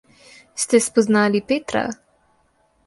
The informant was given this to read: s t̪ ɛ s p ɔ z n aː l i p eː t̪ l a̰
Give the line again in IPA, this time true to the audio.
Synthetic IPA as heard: s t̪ ɛ s p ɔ z n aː l i p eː t̪ ɾ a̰